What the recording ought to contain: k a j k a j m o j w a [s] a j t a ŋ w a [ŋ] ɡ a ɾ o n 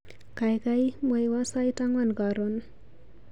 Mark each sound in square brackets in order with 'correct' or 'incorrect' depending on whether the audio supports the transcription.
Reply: correct, incorrect: n

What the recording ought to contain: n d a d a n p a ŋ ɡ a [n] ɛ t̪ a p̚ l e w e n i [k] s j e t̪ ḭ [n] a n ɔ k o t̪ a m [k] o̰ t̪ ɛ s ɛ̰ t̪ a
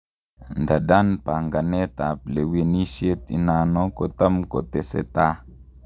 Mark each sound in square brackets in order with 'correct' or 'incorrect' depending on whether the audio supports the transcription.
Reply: correct, incorrect: none, correct, correct

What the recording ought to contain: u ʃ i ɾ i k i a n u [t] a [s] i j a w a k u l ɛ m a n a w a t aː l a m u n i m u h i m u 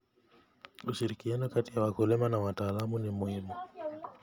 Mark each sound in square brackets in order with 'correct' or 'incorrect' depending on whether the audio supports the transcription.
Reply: incorrect: k, incorrect: t

